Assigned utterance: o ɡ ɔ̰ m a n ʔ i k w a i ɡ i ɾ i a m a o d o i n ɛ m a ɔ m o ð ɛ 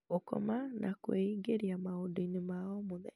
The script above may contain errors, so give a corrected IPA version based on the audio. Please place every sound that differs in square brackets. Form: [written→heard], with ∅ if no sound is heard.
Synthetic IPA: o [ɡ→k] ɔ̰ m a n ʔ [i→a] k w [a→e] i ɡ [i→e] ɾ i a m a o d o i n [ɛ→e] m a ɔ m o ð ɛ